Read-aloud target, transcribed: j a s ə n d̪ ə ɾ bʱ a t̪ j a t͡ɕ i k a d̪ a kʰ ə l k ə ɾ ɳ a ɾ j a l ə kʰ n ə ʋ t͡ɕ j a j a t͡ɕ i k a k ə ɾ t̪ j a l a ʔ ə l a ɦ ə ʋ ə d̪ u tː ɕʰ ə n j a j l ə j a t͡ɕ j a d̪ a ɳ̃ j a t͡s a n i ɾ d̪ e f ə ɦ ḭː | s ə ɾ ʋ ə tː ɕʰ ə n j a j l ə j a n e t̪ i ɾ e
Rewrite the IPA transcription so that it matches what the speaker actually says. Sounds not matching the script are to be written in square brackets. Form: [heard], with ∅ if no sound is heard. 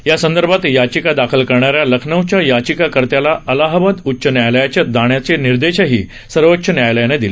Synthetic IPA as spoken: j a s ə n d̪ ə ɾ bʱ a t̪ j a t͡ɕ i k a d̪ a kʰ ə l k ə ɾ ɳ a ɾ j a l ə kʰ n ə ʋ t͡ɕ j a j a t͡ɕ i k a k ə ɾ t̪ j a l a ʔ ə l a ɦ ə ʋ ə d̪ u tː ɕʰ ə n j a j l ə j a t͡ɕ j a d̪ a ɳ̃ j a t͡s [e] n i ɾ d̪ e [ɕ] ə ɦ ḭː | s ə ɾ ʋ ə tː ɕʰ ə n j a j l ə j a n e [d̪] i [l] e

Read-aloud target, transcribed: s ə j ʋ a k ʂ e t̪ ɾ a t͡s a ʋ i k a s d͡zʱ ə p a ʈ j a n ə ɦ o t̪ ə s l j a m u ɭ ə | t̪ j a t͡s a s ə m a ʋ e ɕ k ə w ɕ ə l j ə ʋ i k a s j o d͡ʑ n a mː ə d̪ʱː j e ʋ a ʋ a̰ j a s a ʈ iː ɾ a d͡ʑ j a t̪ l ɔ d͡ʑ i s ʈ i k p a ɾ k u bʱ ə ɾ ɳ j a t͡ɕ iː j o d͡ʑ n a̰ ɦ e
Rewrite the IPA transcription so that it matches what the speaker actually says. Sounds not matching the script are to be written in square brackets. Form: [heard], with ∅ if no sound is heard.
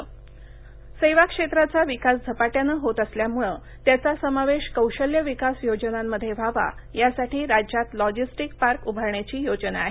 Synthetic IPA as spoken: s ə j ʋ a k ʂ e t̪ ɾ a t͡s a ʋ i k a s d͡zʱ ə p a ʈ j a n ə ɦ o t̪ ə s l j a m u ɭ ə | t̪ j a t͡s a s ə m a ʋ e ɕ k ə w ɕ ə l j ə ʋ i k a s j o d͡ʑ n a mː ə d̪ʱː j e ʋ a ʋ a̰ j a s a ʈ iː ɾ a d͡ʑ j a t̪ l ɔ d͡ʑ i s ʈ i k p a ɾ k u bʱ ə ɾ ɳ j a t͡ɕ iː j o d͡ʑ n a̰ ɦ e

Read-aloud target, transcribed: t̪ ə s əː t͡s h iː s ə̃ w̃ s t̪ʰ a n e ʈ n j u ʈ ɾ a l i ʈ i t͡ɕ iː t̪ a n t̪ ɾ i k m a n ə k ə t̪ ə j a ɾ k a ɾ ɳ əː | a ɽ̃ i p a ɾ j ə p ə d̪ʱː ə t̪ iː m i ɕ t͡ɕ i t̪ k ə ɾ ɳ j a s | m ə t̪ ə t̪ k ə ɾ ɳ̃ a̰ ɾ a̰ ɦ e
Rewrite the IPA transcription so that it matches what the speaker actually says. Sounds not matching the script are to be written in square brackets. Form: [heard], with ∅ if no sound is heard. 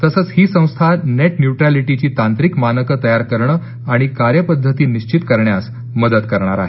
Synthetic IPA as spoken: t̪ ə s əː t͡s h iː s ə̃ w̃ s t̪ʰ a n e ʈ n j u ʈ ɾ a l i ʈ i t͡ɕ iː t̪ a n t̪ ɾ i k m a n ə k ə t̪ ə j a ɾ k [ə] ɾ ɳ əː | a ɽ̃ i [k] a ɾ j ə p ə d̪ʱː ə t̪ iː [n] i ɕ t͡ɕ i t̪ k ə ɾ ɳ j a s | m ə [d̪] ə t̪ k ə ɾ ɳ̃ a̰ ɾ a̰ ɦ e

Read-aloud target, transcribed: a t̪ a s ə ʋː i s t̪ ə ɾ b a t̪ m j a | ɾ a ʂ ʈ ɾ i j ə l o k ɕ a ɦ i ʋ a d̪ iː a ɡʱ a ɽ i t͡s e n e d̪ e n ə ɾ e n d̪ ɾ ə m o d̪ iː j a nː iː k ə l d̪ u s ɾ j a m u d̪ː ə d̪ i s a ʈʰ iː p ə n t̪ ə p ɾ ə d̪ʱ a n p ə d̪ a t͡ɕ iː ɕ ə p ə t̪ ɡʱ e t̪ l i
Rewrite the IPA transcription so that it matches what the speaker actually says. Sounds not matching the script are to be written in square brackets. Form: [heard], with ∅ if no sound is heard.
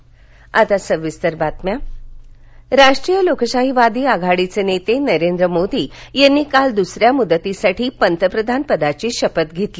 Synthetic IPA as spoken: a t̪ a s ə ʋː i s t̪ ə ɾ b a t̪ m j a | ɾ a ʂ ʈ ɾ i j ə l o k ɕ a ɦ i ʋ a d̪ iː a ɡʱ a ɽ i t͡s e n e [t̪] e n ə ɾ e n d̪ ɾ ə m o d̪ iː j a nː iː k [a] l d̪ u s ɾ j a m u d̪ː ə [t̪] i s a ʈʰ iː p ə n t̪ ə p ɾ ə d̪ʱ a n p ə d̪ a t͡ɕ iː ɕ ə p ə t̪ ɡʱ e t̪ l i

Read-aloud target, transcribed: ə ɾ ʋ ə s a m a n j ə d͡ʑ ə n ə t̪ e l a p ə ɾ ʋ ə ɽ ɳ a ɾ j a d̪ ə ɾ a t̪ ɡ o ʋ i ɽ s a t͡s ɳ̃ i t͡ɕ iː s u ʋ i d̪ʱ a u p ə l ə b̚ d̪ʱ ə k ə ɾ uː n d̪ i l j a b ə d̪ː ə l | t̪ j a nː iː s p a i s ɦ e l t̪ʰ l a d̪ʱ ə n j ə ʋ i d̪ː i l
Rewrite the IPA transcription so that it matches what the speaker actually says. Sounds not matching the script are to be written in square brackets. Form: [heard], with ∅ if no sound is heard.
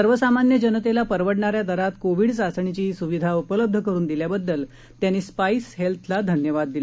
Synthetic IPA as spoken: ə ɾ ʋ ə s a m a n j ə d͡ʑ ə n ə t̪ e l a p ə ɾ ʋ ə ɽ ɳ a ɾ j a d̪ ə ɾ a t̪ [k] o ʋ i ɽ s a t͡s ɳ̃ i t͡ɕ iː s u ʋ i d̪ʱ a u p ə l ə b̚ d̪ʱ ə k ə ɾ uː n d̪ i l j a b ə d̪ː ə l | t̪ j a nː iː s p a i s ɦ e l t̪ʰ l a d̪ʱ ə n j ə ʋ [a] d̪ː i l

